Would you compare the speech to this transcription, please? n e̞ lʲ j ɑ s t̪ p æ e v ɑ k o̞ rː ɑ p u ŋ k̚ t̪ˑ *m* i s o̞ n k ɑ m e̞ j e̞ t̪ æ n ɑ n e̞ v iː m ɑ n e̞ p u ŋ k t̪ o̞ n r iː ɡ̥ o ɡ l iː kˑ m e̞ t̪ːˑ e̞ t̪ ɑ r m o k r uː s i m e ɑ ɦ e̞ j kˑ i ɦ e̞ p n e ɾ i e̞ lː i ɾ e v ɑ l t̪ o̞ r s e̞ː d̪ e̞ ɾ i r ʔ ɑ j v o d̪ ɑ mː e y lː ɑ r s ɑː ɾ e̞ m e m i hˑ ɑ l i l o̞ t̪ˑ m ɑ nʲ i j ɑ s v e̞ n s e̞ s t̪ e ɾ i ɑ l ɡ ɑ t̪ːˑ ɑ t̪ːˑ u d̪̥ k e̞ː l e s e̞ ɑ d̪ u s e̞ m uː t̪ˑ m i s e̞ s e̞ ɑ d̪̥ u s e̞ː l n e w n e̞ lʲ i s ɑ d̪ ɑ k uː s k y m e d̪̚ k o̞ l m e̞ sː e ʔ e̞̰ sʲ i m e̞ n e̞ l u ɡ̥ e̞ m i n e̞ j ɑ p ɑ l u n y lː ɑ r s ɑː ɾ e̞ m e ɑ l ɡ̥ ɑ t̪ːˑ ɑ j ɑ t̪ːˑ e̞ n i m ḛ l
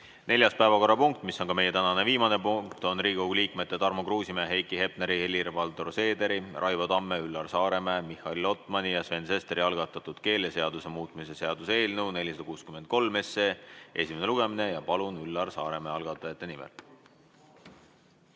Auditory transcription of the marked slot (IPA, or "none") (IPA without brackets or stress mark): m